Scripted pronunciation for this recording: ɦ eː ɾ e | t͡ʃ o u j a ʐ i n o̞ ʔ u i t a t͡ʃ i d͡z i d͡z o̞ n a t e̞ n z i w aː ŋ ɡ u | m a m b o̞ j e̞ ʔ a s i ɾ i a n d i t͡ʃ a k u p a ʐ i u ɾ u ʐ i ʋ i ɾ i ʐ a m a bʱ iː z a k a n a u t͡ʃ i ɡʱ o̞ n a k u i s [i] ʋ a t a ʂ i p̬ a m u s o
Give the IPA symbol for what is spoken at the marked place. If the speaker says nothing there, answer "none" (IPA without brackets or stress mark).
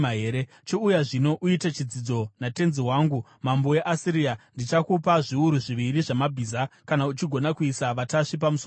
a